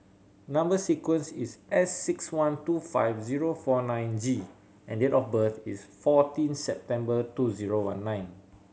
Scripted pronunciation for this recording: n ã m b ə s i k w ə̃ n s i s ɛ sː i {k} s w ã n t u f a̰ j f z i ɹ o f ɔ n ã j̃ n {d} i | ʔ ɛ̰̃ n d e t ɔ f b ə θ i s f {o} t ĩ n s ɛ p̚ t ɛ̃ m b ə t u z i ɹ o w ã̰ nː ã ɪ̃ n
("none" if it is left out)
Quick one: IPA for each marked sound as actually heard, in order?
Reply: k, d͡ʒ, ɔ

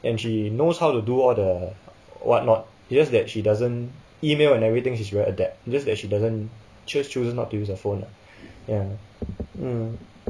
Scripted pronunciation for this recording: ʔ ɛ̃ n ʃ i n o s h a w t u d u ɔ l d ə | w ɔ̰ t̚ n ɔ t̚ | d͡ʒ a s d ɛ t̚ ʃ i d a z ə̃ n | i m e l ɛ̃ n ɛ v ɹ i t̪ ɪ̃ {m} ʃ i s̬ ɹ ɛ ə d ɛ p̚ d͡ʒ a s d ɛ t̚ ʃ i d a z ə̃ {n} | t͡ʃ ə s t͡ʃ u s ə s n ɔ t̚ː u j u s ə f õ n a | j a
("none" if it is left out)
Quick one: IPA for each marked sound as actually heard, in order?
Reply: ŋ, n

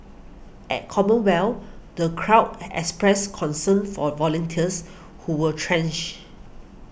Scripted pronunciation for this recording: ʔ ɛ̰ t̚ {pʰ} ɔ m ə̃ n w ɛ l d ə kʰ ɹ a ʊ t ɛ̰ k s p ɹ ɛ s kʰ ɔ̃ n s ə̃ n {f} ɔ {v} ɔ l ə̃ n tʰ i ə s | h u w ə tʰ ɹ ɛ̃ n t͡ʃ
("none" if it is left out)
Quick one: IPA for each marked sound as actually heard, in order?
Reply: kʰ, f, v

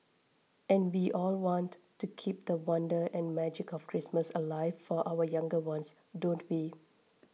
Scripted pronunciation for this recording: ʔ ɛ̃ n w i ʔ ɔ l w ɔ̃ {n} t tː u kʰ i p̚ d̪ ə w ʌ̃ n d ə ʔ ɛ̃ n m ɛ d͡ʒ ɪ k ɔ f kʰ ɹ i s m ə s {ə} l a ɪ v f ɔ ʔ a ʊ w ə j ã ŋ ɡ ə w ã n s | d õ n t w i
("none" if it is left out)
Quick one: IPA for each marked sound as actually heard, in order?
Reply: n, ə

